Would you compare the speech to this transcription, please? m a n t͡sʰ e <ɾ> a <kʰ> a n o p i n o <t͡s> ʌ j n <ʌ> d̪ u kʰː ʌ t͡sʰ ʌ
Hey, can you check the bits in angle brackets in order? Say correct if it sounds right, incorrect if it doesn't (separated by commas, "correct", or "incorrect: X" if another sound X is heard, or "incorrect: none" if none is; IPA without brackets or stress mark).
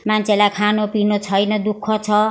incorrect: l, correct, incorrect: t͡sʰ, correct